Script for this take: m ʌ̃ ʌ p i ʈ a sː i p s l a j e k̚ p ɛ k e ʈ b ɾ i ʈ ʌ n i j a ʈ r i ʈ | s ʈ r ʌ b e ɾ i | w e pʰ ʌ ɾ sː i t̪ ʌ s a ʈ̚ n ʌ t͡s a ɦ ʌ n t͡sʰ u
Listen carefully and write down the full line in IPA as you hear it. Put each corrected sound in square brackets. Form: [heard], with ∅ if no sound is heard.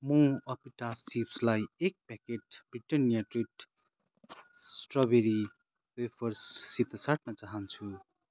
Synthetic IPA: m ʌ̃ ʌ p i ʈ a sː i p s l a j e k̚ p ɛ k e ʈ b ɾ i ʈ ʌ n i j a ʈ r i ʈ | s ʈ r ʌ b e ɾ i | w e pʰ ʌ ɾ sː i t̪ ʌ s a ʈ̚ n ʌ t͡s a ɦ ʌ n t͡sʰ u